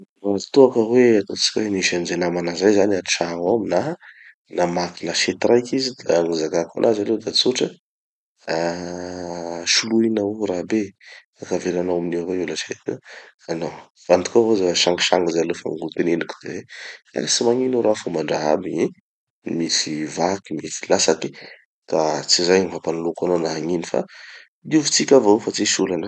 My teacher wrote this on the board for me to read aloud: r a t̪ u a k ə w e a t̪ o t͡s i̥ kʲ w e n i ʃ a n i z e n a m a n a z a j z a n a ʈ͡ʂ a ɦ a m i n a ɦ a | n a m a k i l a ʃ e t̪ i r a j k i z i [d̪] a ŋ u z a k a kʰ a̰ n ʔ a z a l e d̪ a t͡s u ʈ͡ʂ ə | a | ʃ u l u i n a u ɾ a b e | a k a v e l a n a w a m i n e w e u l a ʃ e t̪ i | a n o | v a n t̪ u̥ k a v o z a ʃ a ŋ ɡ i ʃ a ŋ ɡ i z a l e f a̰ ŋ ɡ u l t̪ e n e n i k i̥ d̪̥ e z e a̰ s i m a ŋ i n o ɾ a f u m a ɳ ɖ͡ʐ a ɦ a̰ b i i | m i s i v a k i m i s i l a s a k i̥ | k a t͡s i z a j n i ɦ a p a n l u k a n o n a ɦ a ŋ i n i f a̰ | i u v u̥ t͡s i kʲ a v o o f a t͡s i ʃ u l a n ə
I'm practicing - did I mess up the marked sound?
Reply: no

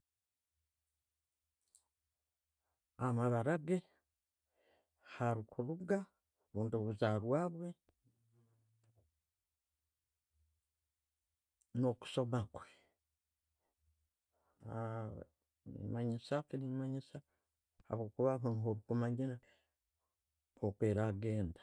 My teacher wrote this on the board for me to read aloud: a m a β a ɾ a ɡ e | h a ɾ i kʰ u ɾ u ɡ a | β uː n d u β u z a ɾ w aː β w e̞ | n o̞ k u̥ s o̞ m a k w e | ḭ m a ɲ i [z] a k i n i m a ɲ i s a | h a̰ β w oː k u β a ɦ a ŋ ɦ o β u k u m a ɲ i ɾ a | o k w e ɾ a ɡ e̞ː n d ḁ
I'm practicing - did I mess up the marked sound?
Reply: yes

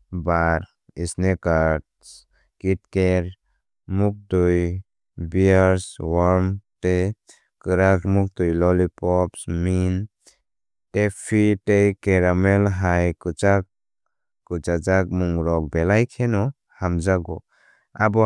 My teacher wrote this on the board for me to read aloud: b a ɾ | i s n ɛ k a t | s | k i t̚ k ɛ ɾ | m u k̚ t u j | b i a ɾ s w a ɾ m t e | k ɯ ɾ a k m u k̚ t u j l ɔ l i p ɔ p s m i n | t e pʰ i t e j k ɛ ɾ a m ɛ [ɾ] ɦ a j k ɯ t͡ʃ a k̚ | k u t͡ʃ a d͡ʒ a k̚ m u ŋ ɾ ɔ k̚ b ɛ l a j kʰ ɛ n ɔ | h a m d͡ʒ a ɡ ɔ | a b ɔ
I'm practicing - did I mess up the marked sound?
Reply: yes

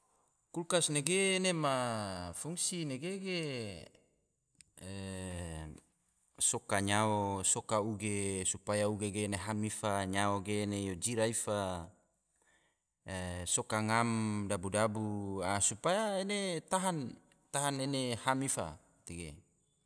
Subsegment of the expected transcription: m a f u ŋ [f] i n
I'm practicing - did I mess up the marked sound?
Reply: yes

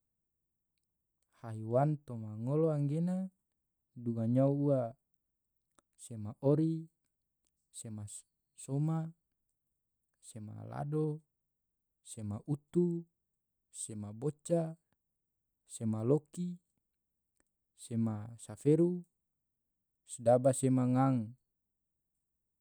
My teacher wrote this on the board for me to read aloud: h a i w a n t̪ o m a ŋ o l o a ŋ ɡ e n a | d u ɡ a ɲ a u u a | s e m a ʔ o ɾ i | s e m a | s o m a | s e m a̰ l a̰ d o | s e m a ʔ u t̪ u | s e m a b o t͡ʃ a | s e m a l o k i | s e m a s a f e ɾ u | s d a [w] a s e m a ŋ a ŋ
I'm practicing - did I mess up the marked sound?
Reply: yes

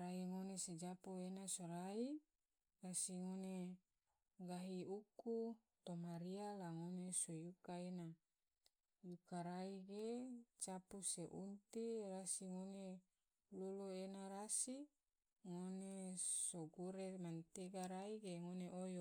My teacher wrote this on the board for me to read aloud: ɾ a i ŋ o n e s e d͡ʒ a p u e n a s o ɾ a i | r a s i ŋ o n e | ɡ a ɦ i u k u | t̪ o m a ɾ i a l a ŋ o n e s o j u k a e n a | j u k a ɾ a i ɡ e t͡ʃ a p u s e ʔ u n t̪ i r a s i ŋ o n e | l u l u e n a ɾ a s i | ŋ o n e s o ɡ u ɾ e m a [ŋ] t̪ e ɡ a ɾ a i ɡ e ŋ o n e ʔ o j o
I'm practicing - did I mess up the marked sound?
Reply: yes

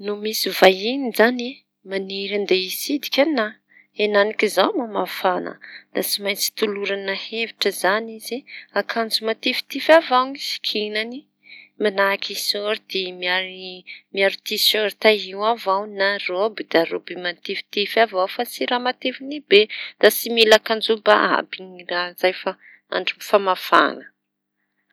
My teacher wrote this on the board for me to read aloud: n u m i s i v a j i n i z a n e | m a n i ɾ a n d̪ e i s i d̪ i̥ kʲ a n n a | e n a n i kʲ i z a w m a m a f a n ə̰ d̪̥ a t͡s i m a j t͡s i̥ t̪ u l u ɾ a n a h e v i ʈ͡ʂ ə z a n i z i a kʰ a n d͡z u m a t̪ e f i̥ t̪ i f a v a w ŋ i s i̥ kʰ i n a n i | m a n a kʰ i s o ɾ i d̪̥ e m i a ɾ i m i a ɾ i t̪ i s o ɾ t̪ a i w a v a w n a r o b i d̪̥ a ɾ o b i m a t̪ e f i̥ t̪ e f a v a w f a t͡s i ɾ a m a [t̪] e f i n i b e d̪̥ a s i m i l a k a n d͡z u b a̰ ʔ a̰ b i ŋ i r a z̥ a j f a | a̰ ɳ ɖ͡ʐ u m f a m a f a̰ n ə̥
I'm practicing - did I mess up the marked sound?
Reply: no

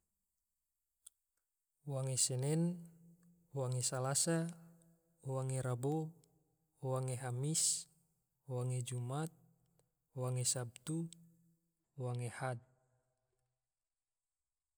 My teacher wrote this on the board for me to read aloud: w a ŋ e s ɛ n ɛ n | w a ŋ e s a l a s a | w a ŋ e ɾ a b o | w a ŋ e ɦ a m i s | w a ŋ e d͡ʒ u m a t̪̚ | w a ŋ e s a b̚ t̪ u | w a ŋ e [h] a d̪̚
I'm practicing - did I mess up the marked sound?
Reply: no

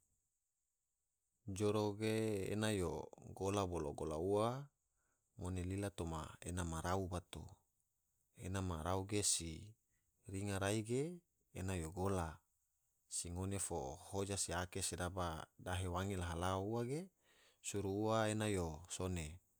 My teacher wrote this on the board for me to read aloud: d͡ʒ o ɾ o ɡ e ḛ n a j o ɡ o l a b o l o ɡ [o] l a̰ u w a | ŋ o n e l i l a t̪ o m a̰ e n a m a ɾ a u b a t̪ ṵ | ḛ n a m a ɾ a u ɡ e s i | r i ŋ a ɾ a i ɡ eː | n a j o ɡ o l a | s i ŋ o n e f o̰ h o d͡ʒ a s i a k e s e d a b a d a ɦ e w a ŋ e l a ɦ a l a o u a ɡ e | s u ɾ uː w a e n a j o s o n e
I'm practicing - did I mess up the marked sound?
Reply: no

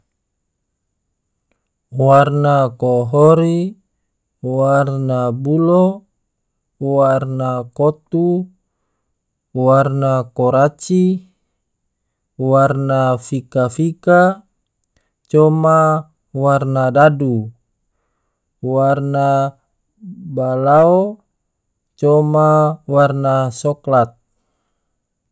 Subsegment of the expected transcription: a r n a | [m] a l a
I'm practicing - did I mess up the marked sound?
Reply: yes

